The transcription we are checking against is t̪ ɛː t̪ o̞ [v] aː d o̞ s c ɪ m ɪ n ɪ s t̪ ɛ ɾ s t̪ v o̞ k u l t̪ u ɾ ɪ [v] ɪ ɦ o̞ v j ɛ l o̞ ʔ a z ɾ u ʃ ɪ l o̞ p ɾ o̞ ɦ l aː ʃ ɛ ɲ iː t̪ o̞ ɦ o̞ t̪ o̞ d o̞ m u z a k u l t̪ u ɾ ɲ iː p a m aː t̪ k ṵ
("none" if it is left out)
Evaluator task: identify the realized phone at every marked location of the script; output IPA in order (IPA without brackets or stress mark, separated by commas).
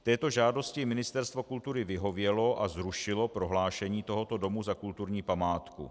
ʒ, v